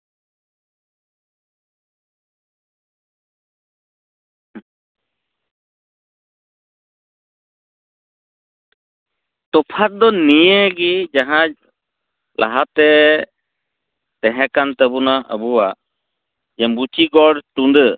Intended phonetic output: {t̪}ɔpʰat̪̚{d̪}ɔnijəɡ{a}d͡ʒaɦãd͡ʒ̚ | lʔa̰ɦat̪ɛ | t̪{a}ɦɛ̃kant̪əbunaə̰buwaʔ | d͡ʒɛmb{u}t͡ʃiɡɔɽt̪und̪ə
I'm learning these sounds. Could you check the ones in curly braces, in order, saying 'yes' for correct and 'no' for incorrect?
yes, yes, no, no, yes

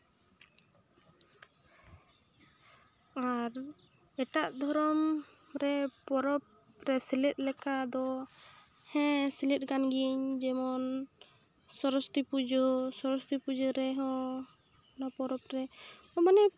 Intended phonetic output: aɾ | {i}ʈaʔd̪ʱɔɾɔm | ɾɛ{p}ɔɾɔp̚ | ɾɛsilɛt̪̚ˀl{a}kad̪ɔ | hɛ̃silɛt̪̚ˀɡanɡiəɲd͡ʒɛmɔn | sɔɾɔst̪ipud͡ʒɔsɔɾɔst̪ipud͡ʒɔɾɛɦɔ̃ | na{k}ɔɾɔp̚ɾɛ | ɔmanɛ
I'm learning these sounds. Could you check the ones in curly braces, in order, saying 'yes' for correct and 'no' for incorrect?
no, yes, no, no

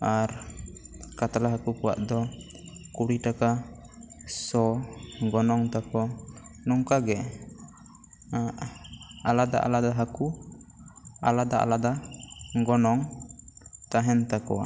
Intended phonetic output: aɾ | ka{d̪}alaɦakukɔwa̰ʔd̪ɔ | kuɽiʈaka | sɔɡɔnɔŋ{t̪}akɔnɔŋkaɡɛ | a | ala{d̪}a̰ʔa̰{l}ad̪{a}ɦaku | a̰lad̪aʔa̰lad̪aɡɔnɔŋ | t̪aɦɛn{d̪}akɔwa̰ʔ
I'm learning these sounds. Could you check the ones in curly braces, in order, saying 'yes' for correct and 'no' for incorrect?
no, yes, yes, yes, yes, no

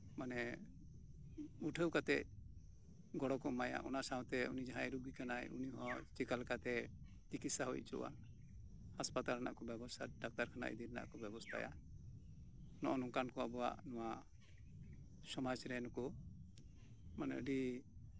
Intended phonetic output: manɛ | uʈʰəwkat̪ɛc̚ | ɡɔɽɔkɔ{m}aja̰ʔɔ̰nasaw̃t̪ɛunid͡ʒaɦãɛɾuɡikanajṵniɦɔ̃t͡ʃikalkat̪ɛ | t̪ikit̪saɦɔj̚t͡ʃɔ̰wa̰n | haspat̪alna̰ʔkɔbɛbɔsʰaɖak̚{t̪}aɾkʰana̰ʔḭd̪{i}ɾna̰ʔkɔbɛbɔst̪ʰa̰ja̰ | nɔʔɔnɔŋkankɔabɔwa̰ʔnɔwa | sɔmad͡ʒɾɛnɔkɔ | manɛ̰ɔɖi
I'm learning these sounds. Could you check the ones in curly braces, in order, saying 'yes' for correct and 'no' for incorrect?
yes, yes, yes

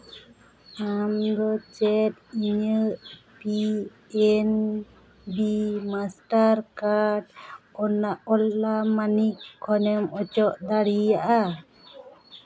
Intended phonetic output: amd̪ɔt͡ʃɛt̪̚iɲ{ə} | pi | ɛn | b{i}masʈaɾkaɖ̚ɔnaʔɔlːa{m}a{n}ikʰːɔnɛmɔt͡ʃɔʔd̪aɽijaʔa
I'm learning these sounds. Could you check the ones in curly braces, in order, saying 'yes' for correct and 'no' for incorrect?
yes, yes, yes, yes

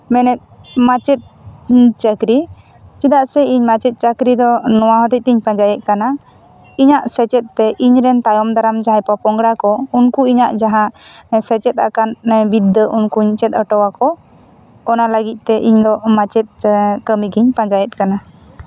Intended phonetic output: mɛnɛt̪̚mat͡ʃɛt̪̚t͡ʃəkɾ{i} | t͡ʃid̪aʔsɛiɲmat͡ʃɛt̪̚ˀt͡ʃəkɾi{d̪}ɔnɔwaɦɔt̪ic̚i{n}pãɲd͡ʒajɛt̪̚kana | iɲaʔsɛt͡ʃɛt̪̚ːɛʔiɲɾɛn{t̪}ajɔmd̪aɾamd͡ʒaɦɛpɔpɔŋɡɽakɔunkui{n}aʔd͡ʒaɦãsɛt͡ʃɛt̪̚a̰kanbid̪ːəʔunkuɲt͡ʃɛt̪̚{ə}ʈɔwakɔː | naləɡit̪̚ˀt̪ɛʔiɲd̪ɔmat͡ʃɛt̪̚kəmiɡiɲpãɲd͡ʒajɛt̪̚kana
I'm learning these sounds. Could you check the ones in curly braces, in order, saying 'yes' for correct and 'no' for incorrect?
yes, yes, no, yes, no, yes

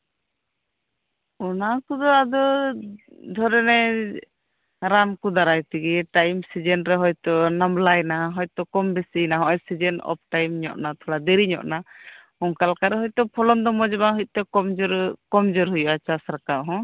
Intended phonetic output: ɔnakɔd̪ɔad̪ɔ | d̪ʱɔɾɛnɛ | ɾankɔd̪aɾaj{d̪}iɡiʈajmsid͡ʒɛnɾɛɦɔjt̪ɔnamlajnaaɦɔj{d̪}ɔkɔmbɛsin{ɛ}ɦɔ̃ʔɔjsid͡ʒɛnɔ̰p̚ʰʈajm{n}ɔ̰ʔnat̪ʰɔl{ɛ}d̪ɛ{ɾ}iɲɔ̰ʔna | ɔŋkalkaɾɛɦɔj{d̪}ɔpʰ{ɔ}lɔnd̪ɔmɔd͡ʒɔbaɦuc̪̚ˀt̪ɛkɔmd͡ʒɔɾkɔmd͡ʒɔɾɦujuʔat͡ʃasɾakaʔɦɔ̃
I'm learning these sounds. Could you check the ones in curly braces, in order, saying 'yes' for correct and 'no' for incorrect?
no, no, no, no, no, yes, no, yes

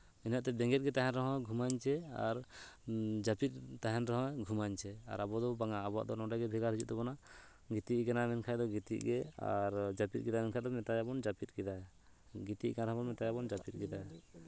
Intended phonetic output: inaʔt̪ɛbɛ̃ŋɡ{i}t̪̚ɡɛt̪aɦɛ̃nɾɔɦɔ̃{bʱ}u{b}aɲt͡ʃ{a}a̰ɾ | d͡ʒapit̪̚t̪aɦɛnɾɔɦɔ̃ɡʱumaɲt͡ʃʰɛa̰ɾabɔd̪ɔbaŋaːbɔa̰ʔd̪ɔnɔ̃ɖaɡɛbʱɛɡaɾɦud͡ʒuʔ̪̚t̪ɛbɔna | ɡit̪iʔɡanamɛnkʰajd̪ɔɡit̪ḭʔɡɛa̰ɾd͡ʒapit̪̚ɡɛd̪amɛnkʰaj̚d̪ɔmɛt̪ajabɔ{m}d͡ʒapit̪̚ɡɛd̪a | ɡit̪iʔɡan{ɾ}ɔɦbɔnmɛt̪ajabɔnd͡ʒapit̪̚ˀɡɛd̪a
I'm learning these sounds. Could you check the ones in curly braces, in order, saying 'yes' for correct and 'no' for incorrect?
no, no, no, no, no, yes

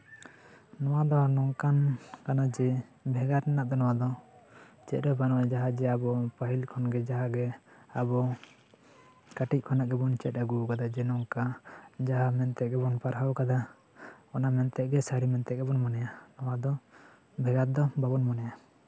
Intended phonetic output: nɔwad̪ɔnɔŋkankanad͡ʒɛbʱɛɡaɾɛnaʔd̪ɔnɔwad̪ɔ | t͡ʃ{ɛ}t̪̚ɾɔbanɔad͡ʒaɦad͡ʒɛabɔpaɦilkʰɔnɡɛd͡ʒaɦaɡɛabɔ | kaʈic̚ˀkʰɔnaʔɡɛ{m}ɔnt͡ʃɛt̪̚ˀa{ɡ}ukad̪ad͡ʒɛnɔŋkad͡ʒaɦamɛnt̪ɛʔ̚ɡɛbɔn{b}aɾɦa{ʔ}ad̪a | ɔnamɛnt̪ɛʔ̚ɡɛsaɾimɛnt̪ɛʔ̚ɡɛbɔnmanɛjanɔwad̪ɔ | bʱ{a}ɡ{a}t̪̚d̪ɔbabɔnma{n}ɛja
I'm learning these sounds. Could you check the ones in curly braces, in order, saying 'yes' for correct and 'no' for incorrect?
yes, no, yes, no, no, no, yes, yes

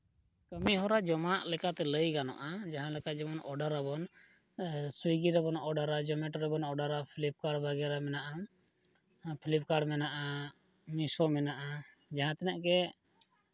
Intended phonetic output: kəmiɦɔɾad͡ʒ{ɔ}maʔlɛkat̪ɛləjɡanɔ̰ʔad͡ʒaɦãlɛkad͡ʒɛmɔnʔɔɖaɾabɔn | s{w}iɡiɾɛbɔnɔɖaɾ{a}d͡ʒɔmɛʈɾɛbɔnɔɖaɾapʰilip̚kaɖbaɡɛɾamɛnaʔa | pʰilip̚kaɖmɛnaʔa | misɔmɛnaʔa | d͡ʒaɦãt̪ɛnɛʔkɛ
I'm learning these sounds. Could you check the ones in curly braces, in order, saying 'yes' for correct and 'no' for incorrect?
yes, yes, yes

